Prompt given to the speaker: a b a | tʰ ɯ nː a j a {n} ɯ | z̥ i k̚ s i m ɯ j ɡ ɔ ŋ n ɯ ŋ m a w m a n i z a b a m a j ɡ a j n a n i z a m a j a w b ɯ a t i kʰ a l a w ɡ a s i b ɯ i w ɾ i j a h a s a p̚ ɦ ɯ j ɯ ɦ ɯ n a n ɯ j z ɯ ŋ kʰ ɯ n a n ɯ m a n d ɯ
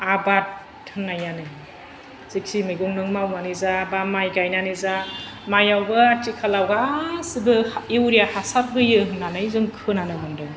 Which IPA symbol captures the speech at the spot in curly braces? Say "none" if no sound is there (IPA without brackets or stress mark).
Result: n